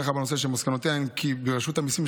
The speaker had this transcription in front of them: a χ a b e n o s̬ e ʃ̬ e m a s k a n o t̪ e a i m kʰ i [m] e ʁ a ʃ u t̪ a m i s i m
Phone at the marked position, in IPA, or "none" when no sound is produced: b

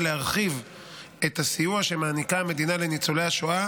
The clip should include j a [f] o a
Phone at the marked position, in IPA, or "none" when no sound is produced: ʃ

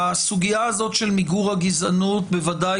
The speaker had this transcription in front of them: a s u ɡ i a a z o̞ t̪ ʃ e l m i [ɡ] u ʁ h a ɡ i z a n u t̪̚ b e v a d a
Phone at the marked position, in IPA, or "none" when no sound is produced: ɡ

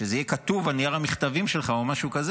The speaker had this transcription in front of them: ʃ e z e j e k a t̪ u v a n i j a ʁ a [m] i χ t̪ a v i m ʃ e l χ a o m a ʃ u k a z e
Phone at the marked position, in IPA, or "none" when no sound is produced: m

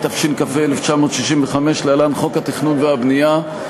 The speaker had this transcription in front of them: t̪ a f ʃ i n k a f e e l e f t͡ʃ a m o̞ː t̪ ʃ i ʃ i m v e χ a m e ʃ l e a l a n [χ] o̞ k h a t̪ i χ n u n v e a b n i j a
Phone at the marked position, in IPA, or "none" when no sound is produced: χ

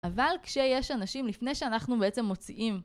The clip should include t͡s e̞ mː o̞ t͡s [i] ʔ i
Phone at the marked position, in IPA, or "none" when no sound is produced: i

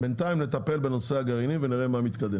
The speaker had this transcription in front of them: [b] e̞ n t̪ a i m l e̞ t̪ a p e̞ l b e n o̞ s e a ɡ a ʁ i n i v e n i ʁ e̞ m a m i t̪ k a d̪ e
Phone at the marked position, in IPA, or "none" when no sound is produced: b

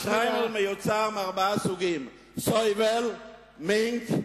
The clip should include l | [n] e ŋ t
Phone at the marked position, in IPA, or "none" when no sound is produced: m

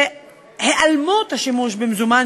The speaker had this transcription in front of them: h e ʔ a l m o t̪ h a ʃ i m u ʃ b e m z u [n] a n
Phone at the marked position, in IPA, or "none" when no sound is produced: m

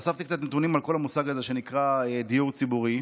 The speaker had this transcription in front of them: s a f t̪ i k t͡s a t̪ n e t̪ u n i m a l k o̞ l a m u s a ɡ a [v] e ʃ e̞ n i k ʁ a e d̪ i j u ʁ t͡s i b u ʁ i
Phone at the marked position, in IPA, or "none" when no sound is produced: z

